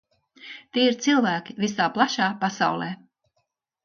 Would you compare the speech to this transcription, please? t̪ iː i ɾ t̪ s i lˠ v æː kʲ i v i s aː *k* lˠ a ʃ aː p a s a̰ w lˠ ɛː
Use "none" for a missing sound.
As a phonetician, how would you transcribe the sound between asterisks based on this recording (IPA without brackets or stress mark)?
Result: p